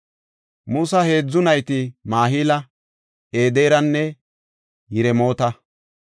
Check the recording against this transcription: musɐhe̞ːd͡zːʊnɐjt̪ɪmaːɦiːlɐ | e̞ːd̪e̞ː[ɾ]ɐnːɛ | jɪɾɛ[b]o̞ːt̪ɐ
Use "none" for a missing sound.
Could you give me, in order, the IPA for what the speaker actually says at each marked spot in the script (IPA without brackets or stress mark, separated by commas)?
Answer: ɾ, m